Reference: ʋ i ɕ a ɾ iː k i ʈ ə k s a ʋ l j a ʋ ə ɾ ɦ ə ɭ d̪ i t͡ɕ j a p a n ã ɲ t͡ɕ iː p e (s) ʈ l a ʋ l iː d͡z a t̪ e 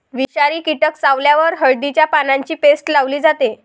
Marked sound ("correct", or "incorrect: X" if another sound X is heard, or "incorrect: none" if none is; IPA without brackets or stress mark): correct